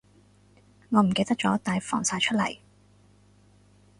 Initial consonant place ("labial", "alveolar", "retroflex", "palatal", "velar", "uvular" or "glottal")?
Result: velar